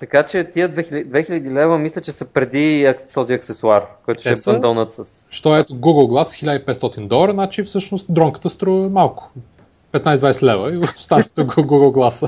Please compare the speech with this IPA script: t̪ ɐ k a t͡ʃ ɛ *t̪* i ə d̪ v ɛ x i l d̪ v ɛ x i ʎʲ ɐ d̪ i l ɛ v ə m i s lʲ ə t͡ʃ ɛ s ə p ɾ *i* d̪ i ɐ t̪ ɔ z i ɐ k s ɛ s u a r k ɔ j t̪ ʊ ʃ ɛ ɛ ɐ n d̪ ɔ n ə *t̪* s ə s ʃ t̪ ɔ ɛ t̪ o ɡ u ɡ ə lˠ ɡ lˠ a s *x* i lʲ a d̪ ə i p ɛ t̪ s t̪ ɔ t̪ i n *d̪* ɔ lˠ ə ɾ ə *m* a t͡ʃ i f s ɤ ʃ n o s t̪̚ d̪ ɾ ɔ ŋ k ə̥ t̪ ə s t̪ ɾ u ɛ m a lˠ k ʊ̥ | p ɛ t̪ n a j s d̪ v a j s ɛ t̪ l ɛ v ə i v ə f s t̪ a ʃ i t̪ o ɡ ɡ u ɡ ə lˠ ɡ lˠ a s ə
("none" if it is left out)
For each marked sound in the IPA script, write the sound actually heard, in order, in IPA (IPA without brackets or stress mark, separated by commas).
t̪, ɛ, t̪, x, d̪, n